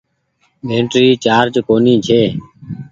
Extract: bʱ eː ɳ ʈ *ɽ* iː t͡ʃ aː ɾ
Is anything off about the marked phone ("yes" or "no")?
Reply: yes